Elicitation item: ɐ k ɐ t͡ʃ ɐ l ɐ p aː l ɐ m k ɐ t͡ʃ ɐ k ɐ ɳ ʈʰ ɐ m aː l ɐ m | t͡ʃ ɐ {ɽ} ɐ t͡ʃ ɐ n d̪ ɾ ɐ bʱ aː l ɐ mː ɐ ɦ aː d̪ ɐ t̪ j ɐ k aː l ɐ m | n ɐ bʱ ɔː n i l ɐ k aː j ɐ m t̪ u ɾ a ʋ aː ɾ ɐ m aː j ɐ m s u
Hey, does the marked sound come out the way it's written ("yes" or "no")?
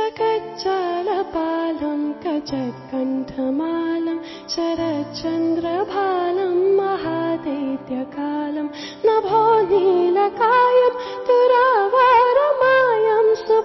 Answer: no